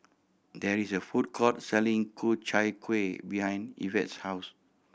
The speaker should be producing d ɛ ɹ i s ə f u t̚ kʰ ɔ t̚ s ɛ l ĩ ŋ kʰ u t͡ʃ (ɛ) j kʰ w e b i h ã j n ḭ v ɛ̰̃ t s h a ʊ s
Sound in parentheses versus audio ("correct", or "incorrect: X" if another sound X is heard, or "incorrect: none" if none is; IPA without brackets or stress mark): incorrect: a